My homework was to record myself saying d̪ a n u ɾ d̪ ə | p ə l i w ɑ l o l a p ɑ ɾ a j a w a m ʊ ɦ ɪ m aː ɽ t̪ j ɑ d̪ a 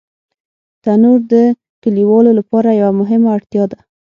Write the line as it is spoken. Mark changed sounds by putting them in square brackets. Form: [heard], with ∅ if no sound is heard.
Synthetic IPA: [t̪] a n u ɾ d̪ ə | [k] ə l i w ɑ l o l a p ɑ ɾ a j a w a m ʊ ɦ ɪ m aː ɽ t̪ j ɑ d̪ a